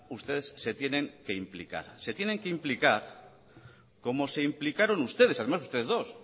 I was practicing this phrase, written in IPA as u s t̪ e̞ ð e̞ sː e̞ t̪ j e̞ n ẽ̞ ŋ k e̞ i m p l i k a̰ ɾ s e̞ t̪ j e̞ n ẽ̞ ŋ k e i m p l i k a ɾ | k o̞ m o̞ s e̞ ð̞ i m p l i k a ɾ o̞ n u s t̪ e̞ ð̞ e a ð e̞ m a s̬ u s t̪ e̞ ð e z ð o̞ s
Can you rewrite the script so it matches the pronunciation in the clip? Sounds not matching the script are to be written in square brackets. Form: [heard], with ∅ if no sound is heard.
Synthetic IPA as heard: u s t̪ e̞ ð e̞ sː e̞ t̪ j e̞ n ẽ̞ ŋ k e̞ i m p l i k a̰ ɾ s e̞ t̪ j e̞ n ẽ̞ ŋ k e i m p l i k a ɾ | k o̞ m o̞ s e̞ [∅] i m p l i k a ɾ o̞ n u s t̪ e̞ ð̞ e a ð e̞ m a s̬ u s t̪ e̞ ð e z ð o̞ s